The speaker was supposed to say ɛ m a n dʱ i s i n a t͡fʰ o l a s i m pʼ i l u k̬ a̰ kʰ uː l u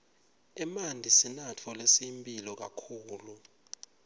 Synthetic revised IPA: ɛ m a n dʱ i s i n a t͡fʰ ɔ l e s i m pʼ i l ɔ k̬ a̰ kʰ uː l u